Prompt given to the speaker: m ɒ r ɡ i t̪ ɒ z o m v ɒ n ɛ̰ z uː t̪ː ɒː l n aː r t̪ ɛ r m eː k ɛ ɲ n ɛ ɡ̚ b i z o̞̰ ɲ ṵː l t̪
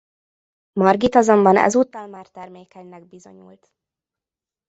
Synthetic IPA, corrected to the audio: m ɒ r ɡ i t̪ ɒ z o m b ɒ n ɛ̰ z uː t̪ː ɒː l m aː r t̪ ɛ r m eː k ɛ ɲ n ɛ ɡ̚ b i z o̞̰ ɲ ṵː l t̪